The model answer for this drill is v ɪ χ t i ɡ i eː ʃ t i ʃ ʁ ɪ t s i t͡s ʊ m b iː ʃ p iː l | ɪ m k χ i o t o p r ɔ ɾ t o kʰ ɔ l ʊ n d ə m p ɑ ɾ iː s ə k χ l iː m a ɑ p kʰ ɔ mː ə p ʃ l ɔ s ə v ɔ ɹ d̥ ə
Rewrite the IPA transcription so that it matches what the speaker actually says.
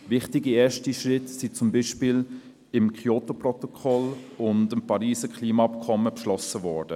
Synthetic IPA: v ɪ χ t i ɡ i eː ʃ t i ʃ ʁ ɪ t s i t͡s ʊ m b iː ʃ p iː l | ɪ m k χ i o t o p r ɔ t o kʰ ɔ l ʊ n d ə m p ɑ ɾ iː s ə k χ l iː m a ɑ p kʰ ɔ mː ə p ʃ l ɔ s ə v ɔ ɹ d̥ ə